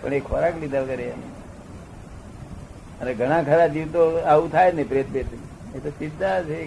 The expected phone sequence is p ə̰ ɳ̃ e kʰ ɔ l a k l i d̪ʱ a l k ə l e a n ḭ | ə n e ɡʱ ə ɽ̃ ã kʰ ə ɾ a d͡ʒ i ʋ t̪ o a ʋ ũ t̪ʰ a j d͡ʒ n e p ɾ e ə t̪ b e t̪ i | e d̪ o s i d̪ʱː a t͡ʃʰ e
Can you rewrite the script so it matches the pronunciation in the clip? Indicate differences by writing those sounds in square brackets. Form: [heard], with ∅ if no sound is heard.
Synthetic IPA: p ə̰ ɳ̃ e kʰ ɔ [ɾ] a k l i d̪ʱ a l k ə [ɾ] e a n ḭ | ə n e ɡʱ ə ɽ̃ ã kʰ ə ɾ a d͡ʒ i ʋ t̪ o a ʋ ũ t̪ʰ a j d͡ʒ n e p ɾ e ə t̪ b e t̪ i | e [t̪] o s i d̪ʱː a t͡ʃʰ e